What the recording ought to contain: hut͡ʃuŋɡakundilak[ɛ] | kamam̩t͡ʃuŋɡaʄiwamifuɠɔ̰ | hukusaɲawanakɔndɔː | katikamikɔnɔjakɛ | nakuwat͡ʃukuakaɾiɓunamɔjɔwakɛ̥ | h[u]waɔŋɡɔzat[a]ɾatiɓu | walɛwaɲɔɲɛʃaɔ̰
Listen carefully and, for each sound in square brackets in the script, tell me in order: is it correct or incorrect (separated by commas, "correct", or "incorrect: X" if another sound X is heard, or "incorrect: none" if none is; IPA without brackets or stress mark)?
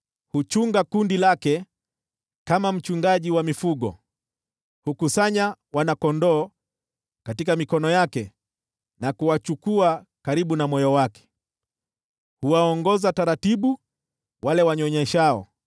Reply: correct, correct, correct